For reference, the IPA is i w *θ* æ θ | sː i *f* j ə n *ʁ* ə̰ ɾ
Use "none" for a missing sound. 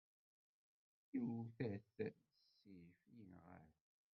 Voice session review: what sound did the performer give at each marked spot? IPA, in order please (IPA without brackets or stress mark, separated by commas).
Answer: θ, f, ʁ